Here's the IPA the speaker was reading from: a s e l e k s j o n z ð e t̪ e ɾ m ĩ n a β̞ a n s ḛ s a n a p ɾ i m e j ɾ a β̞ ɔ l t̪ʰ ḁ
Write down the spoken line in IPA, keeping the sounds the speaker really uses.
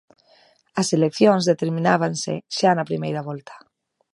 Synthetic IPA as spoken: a s e l e k θ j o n z ð e t̪ e ɾ m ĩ n a β̞ a n s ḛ ʃ a n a p ɾ i m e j ɾ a β̞ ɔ l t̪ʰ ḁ